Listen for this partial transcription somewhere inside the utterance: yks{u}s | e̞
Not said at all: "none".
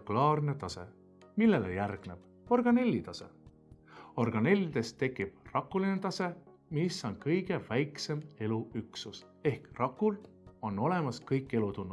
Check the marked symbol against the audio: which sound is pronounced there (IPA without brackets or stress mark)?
u